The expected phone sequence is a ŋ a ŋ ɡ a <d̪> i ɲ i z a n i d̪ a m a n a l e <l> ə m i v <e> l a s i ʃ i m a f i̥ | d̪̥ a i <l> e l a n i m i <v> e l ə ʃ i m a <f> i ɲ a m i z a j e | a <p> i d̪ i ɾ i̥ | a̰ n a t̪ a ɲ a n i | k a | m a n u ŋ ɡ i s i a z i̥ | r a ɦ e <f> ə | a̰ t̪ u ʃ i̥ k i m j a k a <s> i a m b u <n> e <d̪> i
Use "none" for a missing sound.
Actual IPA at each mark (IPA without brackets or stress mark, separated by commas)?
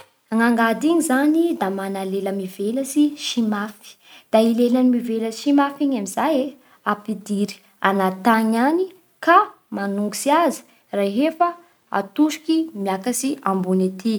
d̪, l, e, l, v, f, p, f, s, n, t̪